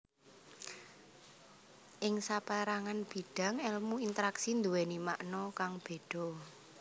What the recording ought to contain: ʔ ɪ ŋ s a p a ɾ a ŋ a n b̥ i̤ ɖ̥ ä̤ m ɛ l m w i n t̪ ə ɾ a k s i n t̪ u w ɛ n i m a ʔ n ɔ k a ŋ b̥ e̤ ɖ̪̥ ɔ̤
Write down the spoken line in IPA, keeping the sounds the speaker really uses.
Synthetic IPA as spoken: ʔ ɪ ŋ s a p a ɾ a ŋ a n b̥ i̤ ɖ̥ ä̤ ŋ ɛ l m u i n t̪ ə ɾ a k s i n d̪ u w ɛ n i m a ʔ n ɔ k a ŋ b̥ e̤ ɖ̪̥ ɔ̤